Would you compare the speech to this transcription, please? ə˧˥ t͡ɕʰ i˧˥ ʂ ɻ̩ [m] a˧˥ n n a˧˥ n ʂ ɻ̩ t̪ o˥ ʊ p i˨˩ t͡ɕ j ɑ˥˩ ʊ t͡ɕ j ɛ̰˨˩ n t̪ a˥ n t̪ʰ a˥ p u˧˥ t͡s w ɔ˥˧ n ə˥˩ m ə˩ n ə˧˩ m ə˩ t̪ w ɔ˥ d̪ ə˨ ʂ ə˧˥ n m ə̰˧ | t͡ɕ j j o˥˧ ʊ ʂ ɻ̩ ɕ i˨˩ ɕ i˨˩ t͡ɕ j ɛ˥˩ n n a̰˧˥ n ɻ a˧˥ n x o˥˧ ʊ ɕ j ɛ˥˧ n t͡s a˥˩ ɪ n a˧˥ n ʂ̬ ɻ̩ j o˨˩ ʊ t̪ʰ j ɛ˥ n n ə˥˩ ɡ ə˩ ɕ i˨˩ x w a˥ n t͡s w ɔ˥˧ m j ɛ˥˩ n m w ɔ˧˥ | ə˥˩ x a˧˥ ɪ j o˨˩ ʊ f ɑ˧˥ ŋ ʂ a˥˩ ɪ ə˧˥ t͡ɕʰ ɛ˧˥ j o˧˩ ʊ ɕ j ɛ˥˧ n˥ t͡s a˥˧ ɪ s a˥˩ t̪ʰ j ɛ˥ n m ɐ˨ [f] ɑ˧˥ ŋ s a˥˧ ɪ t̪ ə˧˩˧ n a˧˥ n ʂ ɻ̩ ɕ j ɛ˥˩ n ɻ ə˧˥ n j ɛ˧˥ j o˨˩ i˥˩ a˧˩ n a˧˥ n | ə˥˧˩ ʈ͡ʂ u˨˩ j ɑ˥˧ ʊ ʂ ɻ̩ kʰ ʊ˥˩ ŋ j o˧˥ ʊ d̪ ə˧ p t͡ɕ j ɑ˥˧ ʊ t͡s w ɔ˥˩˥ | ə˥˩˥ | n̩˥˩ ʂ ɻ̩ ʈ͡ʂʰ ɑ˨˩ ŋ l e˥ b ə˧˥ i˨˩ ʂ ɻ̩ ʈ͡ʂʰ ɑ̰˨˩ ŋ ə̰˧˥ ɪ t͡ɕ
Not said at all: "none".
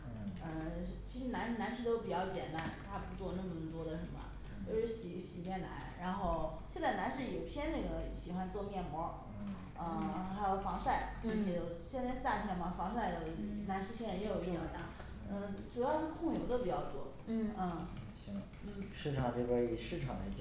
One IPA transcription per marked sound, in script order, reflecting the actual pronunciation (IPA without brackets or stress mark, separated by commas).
n, f